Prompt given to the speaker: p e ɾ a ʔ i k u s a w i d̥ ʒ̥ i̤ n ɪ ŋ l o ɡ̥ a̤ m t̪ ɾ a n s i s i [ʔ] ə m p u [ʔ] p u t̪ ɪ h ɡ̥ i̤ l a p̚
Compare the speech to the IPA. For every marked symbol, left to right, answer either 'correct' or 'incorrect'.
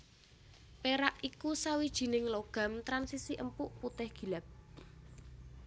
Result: correct, correct

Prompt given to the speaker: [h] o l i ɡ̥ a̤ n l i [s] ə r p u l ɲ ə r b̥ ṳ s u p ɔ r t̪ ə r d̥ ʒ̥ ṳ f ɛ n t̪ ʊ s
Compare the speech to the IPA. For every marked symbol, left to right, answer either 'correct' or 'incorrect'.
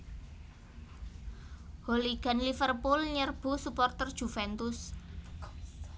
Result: correct, incorrect

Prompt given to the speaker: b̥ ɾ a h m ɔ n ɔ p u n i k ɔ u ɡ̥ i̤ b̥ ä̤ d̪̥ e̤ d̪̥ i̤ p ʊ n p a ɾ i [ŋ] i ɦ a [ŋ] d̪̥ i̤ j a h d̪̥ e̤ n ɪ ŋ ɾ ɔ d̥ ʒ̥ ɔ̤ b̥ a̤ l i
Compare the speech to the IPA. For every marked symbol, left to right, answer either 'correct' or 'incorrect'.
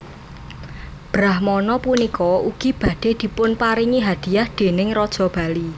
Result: correct, incorrect

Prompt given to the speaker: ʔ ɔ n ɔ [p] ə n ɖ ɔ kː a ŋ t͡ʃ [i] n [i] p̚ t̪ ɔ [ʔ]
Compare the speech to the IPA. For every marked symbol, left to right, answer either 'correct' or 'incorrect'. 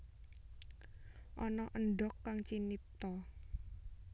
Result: incorrect, correct, correct, incorrect

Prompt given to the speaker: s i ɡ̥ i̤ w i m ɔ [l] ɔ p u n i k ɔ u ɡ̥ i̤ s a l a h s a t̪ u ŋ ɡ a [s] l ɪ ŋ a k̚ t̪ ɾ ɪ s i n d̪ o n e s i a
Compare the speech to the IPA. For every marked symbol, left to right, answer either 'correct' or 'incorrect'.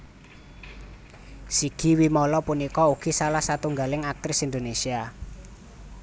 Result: correct, incorrect

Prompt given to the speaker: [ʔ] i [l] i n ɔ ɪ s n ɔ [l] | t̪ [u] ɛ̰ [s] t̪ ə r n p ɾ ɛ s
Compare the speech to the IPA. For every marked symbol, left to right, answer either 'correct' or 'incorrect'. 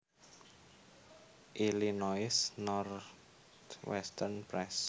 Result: correct, correct, incorrect, incorrect, correct

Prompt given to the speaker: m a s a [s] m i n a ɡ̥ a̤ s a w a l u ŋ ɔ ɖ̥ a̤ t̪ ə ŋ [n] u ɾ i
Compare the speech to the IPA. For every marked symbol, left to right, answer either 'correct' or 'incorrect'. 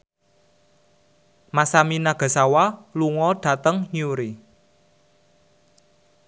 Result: incorrect, incorrect

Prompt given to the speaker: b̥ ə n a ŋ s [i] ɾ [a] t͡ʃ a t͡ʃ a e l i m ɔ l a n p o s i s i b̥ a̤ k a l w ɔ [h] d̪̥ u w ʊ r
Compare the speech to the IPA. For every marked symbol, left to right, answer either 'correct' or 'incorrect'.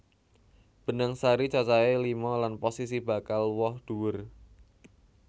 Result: incorrect, incorrect, correct

